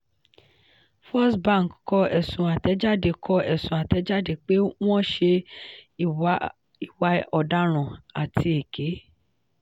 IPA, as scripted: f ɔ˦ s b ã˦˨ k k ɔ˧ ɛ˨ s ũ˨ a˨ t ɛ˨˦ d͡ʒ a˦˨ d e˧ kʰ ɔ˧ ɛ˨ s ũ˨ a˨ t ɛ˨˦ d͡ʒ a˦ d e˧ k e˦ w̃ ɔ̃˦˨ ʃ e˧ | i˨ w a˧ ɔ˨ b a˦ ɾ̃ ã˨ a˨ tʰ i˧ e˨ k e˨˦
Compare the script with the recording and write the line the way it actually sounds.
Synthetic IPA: f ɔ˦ s b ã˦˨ k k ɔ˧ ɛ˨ s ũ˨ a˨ t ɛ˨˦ d͡ʒ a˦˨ d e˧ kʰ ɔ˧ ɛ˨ s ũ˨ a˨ t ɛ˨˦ d͡ʒ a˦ d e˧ k͡p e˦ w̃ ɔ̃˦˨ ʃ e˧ | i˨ w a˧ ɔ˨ d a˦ ɾ̃ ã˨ a˨ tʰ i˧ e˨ k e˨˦